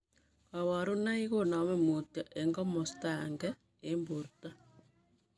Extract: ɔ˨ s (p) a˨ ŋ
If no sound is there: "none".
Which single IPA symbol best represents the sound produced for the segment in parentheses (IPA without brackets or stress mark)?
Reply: t